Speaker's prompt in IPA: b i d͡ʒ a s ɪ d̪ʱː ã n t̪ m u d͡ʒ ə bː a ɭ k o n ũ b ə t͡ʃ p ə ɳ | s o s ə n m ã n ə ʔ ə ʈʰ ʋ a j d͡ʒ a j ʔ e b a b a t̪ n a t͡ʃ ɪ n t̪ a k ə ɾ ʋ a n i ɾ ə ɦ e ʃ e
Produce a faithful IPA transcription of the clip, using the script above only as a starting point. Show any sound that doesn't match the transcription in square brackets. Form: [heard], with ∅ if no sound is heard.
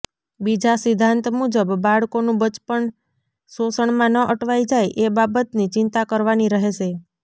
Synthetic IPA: b i d͡ʒ a s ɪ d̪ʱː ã n t̪ m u d͡ʒ ə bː a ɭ k o n ũ b ə t͡ʃ p ə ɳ | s o s ə [ɳ] m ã n ə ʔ ə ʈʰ ʋ a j d͡ʒ a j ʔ e b a b [ə] t̪ n [i] t͡ʃ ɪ n t̪ a k ə ɾ ʋ a n i ɾ ə ɦ e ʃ e